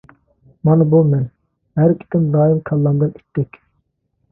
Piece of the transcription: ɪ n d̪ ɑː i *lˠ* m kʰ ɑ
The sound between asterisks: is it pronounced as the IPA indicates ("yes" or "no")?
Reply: no